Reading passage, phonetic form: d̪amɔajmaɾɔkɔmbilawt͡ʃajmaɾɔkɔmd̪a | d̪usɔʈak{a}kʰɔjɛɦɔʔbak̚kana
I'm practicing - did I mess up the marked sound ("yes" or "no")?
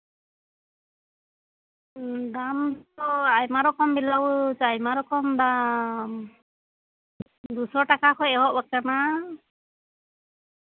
no